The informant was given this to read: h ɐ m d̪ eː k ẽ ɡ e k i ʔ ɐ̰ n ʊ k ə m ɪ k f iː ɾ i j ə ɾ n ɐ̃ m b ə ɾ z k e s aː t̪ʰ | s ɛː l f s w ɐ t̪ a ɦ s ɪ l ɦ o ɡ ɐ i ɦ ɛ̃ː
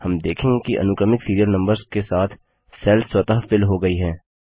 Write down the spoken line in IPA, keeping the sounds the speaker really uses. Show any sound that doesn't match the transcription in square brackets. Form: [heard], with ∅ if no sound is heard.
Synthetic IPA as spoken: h ɐ m d̪ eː [kʰ] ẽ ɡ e k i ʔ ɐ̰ n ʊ k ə m ɪ k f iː ɾ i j ə ɾ n ɐ̃ m b ə ɾ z k e s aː t̪ʰ | s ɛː l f s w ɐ t̪ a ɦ [f] ɪ l ɦ o ɡ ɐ i ɦ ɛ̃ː